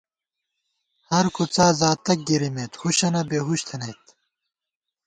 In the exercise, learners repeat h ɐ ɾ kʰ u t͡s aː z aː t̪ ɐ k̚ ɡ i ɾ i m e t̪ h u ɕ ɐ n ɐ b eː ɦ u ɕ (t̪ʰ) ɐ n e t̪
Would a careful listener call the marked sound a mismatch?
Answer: no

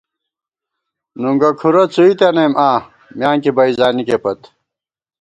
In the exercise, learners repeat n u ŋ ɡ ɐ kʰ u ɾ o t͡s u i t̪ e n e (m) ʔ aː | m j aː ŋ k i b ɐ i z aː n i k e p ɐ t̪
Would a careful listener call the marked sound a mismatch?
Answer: no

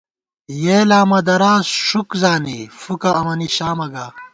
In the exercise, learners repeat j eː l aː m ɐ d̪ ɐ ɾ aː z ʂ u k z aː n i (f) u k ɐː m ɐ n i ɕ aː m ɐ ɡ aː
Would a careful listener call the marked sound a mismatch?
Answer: no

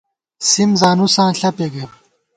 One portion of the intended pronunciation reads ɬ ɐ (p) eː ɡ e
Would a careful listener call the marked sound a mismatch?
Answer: no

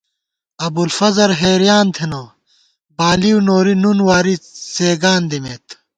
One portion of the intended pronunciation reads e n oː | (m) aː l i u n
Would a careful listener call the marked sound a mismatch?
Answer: yes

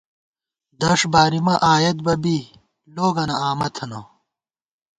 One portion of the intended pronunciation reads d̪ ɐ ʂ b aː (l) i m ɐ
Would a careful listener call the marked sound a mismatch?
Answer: yes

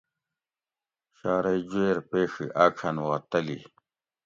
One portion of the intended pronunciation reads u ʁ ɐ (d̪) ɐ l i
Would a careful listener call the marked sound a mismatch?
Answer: yes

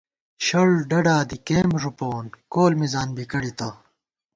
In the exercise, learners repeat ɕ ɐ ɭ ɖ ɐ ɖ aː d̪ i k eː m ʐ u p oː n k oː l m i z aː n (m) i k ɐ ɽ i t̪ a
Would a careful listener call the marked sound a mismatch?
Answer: yes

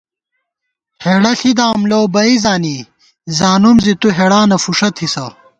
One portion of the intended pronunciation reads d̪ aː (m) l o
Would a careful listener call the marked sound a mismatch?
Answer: no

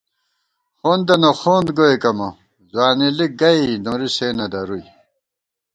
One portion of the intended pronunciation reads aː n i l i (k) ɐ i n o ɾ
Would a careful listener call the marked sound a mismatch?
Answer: yes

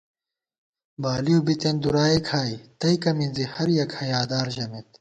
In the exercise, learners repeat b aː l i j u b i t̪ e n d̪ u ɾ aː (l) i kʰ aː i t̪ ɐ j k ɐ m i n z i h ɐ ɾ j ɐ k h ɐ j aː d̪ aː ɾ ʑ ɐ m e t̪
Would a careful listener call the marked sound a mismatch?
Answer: yes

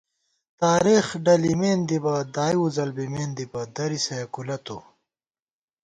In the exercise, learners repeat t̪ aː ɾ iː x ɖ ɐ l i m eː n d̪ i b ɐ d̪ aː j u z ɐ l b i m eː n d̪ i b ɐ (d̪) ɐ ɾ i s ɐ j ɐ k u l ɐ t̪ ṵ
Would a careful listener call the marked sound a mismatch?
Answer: no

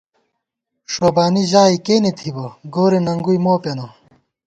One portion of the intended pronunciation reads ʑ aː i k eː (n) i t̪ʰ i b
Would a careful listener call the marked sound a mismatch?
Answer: no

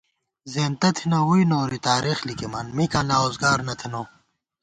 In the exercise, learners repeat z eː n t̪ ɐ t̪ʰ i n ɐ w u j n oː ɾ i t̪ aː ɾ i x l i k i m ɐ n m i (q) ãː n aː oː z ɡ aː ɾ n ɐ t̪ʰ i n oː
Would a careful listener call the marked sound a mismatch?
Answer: yes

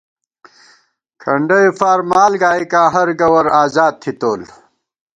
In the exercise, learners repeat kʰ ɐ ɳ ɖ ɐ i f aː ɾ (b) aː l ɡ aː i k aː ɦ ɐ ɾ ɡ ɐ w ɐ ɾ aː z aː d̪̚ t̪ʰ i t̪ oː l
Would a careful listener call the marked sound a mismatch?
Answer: yes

